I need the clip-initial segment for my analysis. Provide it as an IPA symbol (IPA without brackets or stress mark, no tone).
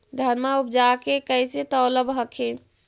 d̪ʱ